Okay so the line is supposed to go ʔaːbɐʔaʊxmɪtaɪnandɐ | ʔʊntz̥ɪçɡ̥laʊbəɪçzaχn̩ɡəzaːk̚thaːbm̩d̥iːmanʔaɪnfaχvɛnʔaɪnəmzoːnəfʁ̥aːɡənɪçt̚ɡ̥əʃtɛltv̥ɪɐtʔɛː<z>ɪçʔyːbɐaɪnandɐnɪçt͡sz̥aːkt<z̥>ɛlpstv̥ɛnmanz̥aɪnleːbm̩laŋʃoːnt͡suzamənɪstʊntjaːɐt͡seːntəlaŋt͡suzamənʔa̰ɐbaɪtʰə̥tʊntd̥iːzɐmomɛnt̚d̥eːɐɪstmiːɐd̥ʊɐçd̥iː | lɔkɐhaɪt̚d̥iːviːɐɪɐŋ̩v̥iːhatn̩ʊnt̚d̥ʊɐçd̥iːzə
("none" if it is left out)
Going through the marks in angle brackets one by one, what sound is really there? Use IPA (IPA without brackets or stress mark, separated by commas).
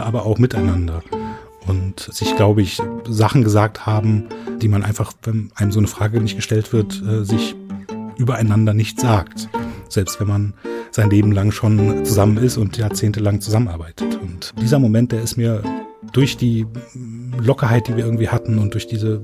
z, z̥